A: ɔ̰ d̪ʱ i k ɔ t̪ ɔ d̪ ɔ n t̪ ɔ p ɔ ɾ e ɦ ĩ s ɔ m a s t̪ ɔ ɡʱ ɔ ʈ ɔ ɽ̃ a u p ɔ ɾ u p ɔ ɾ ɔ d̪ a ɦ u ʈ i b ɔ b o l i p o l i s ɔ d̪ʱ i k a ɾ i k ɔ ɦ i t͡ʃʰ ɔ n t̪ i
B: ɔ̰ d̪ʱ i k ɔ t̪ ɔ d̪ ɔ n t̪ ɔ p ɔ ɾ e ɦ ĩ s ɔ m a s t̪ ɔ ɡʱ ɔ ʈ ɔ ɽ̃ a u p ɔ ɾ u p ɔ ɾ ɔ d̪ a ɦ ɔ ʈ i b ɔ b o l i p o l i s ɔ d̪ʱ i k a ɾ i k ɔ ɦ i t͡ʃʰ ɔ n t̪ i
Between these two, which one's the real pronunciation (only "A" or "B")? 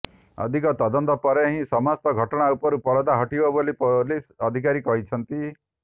B